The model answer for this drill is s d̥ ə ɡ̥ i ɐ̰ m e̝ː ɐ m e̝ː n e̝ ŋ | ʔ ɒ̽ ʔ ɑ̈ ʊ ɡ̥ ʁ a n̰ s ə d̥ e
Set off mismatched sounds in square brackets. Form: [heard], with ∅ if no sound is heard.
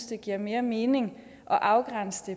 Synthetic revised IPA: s d̥ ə ɡ̥ i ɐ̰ m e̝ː ɐ m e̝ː n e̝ ŋ | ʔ ɒ̽ ʔ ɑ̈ ʊ ɡ̥ ʁ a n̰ s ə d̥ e